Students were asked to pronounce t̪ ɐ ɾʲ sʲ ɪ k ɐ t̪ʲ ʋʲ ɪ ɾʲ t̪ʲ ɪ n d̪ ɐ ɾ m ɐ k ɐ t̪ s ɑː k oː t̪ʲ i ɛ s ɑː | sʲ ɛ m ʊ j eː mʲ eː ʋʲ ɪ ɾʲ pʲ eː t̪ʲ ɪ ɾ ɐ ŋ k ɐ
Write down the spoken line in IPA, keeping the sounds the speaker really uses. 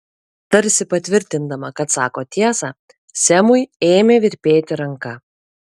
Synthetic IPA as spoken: t̪ ɐ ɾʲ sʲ ɪ p ɐ t̪ʲ ʋʲ ɪ ɾʲ t̪ʲ ɪ n d̪ ɐ m ɐ k ɐ t̪ s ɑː k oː t̪ʲ i ɛ s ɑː | sʲ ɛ m ʊ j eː mʲ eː ʋʲ ɪ ɾʲ pʲ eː t̪ʲ ɪ ɾ ɐ ŋ k ɐ